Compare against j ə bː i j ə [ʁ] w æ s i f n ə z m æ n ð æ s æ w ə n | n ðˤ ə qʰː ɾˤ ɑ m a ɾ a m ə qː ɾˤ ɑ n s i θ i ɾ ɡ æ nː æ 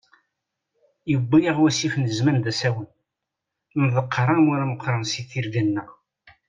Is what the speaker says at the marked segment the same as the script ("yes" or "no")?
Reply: yes